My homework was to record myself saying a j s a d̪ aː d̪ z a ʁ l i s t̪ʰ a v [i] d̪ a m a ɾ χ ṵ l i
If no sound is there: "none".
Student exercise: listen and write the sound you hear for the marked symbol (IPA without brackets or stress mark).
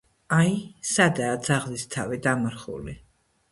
i